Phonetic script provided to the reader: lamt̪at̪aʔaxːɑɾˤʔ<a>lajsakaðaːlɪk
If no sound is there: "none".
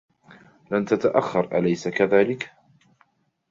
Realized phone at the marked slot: a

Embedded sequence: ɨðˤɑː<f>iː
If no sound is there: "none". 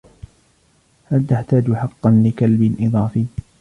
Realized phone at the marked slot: f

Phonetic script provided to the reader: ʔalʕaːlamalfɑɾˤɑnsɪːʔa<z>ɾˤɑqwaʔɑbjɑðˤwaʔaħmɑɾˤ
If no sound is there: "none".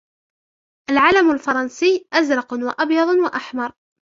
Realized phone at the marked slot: z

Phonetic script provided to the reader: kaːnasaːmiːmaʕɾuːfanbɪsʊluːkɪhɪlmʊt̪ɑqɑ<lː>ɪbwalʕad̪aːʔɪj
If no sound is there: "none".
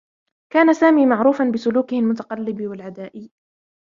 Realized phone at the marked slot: lː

